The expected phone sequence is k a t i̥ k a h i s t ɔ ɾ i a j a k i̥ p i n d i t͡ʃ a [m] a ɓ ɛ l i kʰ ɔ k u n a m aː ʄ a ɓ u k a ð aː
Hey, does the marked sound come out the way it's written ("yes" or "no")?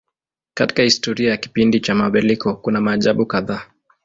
yes